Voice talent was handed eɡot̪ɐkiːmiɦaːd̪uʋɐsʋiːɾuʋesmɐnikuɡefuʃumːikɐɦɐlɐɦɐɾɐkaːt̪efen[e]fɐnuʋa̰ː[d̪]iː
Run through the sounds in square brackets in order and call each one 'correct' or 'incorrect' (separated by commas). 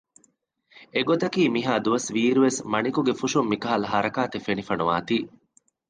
incorrect, incorrect